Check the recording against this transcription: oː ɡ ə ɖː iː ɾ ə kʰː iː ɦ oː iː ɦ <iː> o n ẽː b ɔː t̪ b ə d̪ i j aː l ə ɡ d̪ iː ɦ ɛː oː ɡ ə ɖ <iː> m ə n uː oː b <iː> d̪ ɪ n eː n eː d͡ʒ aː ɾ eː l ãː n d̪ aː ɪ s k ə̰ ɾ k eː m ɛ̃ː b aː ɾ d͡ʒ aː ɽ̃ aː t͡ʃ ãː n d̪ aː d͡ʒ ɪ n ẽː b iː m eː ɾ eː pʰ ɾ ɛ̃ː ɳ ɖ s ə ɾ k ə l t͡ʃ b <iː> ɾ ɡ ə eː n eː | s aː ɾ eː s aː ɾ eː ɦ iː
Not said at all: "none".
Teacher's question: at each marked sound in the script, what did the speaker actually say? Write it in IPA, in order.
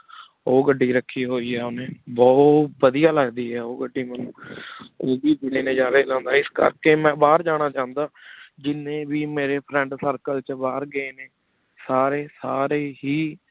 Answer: ɛː, iː, iː, aː

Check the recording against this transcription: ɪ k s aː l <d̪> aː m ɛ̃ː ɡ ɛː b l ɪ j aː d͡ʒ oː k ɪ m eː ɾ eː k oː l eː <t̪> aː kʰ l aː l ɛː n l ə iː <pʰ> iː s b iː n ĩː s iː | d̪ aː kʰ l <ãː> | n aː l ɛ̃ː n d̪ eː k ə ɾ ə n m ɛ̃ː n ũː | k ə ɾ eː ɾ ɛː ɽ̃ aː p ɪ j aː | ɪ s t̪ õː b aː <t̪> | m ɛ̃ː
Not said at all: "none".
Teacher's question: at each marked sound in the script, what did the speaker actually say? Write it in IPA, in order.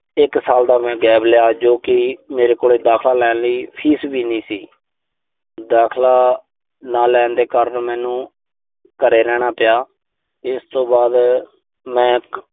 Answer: d̪, d̪, pʰ, aː, d̪

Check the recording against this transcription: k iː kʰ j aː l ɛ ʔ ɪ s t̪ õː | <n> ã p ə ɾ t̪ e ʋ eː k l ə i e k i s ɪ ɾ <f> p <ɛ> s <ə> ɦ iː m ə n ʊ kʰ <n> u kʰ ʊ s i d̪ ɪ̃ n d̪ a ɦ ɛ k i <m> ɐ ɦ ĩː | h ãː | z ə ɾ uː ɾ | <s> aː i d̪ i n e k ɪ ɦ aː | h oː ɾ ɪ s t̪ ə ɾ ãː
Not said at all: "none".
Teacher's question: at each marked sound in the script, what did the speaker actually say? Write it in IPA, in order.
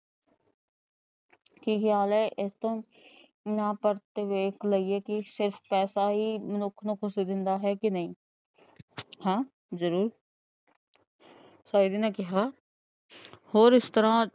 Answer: n, f, ɛː, a, n, n, s

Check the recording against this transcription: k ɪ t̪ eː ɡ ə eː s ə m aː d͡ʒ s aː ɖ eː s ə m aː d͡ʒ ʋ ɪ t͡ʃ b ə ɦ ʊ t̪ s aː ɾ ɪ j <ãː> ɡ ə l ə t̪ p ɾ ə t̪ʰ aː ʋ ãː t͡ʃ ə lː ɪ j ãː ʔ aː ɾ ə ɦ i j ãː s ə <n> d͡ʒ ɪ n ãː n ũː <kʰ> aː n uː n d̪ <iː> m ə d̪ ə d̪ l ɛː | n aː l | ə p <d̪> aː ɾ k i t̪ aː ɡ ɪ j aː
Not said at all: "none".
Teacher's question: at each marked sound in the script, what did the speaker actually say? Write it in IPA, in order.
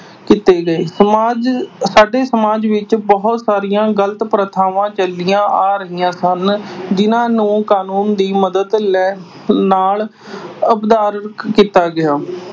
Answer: ãː, n, k, iː, d̪

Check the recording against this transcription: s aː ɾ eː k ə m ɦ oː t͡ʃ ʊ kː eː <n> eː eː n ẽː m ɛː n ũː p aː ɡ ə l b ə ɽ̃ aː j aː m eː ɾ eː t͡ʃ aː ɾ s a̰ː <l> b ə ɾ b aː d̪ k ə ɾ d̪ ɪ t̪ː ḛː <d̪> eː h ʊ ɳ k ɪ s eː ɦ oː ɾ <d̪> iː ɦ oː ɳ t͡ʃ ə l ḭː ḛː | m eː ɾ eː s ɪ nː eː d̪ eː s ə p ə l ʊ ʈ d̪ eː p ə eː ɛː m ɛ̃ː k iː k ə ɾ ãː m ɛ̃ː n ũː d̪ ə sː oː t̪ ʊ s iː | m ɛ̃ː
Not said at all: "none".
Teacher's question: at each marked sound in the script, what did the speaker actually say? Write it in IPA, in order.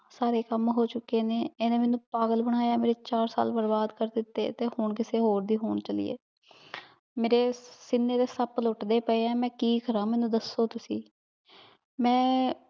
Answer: n, l, t̪, d̪

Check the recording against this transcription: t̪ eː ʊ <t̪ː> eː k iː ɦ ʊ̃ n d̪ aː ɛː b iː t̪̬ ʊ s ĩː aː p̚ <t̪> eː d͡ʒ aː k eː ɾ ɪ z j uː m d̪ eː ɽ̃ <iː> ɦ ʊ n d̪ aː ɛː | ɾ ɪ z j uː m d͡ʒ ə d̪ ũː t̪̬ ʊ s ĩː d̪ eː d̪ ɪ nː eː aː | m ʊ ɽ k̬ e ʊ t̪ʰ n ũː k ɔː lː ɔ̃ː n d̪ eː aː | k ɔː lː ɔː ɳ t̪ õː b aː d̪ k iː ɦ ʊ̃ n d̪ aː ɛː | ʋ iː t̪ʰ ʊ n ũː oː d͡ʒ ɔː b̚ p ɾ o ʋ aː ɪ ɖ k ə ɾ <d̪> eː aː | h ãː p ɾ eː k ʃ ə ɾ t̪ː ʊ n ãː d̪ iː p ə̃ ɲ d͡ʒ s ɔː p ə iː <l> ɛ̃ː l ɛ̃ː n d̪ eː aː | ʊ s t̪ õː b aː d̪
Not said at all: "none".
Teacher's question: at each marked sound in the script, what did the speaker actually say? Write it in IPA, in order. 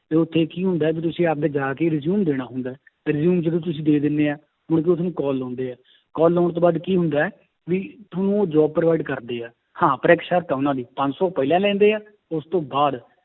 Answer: t̪ʰː, d̪, aː, d̪, l

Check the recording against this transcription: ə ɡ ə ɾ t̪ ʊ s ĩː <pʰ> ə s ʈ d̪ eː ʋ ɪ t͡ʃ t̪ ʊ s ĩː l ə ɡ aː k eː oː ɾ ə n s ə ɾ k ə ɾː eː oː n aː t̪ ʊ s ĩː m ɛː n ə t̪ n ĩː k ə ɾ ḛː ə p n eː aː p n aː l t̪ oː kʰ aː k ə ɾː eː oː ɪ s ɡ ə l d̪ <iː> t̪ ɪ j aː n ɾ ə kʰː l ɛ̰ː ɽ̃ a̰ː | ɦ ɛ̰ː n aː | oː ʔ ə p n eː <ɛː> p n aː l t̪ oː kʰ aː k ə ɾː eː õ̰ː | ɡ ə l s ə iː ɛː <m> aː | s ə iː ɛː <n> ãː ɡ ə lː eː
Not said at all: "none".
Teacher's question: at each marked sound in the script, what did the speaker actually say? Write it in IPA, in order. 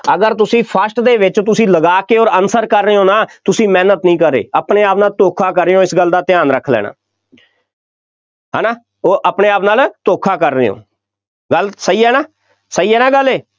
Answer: pʰ, aː, aː, n, n

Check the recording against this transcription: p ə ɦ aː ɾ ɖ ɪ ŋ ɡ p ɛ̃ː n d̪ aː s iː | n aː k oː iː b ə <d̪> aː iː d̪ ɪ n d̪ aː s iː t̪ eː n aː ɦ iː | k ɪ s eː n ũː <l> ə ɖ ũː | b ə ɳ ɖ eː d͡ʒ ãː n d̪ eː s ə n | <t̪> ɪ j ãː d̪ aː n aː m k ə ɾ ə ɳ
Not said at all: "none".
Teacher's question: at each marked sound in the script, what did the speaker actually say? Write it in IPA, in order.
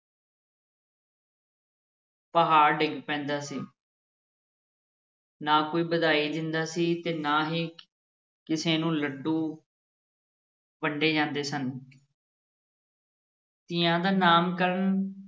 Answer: d̪, l, t̪

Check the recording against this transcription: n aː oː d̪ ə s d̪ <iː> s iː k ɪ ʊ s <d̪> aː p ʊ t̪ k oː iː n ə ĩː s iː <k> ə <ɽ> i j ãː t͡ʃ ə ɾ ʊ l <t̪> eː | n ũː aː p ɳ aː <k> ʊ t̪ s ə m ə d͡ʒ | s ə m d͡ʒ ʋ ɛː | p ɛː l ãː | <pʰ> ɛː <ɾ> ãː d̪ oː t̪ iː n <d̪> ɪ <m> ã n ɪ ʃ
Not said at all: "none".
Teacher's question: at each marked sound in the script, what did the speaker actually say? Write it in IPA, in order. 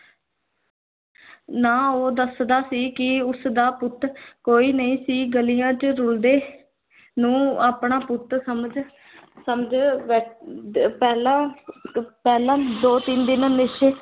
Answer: aː, d̪, ɡ, l, d̪, p, p, l, d̪, n

